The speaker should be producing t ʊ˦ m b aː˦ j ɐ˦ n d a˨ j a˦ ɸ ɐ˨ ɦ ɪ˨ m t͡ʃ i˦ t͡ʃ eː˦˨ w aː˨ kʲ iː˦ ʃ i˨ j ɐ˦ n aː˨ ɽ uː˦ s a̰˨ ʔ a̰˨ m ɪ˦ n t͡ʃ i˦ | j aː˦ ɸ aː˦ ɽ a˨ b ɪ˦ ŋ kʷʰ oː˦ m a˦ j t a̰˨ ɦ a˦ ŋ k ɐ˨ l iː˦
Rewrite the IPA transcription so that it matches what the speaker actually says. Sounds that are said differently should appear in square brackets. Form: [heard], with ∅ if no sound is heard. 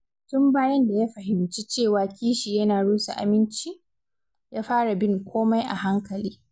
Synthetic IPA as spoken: t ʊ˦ m b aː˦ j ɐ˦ n d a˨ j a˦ ɸ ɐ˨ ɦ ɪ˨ m t͡ʃ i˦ t͡ʃ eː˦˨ w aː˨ kʲ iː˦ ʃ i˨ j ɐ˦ n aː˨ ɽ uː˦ s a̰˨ ʔ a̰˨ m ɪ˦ n t͡ʃ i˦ | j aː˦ ɸ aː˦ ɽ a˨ b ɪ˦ ŋ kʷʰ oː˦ m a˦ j [ʔ] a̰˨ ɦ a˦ ŋ k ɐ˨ l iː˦